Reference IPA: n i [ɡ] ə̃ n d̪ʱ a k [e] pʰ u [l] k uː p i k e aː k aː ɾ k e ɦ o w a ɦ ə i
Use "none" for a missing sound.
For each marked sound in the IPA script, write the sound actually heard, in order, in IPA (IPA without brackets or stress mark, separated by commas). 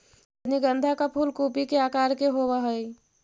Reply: ɡ, a, l